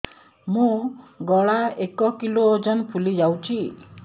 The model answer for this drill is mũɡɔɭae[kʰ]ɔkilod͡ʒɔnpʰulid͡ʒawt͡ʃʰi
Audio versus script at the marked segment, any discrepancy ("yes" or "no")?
yes